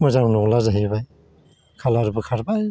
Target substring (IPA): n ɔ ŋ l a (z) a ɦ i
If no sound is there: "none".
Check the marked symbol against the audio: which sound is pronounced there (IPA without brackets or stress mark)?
z